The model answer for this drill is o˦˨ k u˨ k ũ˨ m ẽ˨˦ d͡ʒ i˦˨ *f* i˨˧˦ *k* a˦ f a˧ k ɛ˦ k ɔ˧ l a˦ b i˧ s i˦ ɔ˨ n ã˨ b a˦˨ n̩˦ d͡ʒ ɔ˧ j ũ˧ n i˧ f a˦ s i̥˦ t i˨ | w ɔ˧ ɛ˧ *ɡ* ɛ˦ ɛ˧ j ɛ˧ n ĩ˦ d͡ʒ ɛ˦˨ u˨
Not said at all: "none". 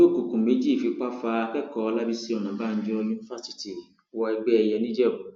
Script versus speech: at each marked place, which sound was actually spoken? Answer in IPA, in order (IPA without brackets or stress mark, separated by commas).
f, k͡p, ɡ͡b